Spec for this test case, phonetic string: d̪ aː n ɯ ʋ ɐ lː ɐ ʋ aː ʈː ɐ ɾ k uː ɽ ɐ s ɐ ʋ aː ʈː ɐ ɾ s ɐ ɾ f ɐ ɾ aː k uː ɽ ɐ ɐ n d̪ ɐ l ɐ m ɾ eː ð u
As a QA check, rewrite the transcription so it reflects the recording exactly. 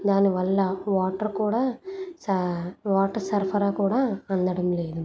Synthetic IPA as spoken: d̪ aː n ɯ ʋ ɐ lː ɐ ʋ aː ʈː ɐ ɾ k uː ɽ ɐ s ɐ ʋ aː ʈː ɐ ɾ s ɐ ɾ f ɐ ɾ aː k uː ɽ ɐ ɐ n d̪ ɐ ɽ ɐ m l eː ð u